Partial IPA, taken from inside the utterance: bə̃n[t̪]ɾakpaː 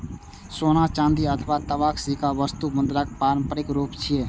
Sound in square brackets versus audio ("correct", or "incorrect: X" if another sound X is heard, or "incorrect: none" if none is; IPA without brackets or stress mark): incorrect: d̪